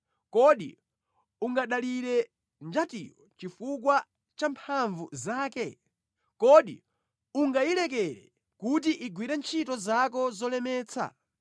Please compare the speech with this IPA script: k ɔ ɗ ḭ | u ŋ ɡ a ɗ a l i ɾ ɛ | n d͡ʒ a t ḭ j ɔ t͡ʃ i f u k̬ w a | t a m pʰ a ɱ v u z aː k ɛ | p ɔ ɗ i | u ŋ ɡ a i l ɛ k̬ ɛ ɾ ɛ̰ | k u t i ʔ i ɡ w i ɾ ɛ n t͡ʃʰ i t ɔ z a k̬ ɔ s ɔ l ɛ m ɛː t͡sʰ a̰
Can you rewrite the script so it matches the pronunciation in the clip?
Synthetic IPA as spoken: k ɔ ɗ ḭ | u ŋ ɡ a ɗ a l i ɾ ɛ | n d͡ʒ a t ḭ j ɔ t͡ʃ i f u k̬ w a | t͡ʃ a m pʰ a ɱ v u z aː k ɛ | k ɔ ɗ i | u ŋ ɡ a i l ɛ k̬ ɛ ɾ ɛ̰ | k u t i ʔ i ɡ w i ɾ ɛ n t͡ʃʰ i t ɔ z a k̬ ɔ z ɔ l ɛ m ɛː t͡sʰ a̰